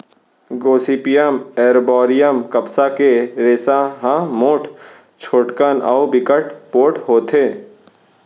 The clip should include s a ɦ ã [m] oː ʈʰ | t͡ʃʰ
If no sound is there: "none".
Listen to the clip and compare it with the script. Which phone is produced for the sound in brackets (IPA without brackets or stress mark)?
m